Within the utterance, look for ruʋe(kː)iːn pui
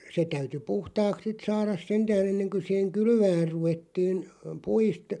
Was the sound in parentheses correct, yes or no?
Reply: no